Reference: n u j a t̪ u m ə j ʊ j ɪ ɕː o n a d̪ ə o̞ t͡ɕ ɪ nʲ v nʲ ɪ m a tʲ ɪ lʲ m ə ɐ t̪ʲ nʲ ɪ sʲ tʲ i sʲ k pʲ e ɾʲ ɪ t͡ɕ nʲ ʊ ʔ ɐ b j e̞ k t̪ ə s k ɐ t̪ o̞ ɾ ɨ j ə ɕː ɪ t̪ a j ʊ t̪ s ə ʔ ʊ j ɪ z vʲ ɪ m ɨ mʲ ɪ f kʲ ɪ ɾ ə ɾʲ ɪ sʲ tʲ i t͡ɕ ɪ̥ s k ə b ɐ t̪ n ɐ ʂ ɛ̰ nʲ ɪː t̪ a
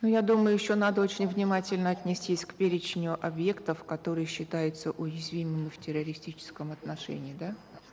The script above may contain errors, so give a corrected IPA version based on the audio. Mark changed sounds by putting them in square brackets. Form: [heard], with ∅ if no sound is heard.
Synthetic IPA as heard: n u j a [d̪] u m ə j ʊ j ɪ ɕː o n a d̪ ə o̞ t͡ɕ ɪ nʲ v nʲ ɪ m a tʲ ɪ lʲ [n] ə ɐ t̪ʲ nʲ ɪ sʲ tʲ i sʲ k pʲ e ɾʲ ɪ t͡ɕ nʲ ʊ ʔ ɐ b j e̞ k t̪ ə [f] k ɐ t̪ o̞ ɾ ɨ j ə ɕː ɪ t̪ a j ʊ t̪ s ə ʔ ʊ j ɪ z vʲ [i] m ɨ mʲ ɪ f [tʲ] ɪ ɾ ə ɾʲ ɪ sʲ tʲ i t͡ɕ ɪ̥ s k ə [m] ɐ t̪ n ɐ ʂ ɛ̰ nʲ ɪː [d̪] a